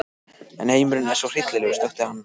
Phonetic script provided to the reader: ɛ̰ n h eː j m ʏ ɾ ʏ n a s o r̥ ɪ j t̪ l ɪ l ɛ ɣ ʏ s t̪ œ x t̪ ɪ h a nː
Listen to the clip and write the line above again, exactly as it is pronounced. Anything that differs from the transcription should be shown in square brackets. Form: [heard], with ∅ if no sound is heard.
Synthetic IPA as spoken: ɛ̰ n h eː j m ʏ ɾ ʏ n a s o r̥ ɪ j t̪ l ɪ l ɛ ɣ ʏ s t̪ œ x t̪ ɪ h a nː